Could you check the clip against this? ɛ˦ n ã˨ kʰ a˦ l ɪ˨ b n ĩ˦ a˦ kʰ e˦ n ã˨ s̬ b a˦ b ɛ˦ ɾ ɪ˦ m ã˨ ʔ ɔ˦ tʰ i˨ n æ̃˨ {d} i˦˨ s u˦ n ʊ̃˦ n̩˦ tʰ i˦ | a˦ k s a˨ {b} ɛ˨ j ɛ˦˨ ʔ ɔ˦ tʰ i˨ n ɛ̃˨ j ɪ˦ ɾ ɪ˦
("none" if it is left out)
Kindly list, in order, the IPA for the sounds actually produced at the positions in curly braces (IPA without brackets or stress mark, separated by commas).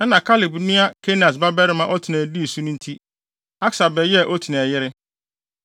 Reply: d, b